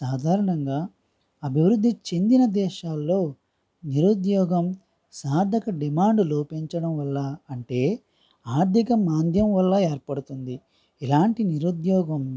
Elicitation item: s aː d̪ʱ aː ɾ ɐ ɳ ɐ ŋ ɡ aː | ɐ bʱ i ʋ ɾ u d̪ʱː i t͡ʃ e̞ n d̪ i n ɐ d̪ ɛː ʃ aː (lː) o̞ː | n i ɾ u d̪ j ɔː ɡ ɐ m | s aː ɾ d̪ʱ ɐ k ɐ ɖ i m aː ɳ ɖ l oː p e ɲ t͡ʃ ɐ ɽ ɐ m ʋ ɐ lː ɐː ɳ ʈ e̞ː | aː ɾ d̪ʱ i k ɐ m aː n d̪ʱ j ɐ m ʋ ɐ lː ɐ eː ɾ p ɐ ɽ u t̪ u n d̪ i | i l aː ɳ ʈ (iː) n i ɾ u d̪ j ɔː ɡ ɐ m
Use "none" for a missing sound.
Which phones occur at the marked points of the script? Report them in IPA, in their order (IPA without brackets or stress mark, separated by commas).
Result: lː, i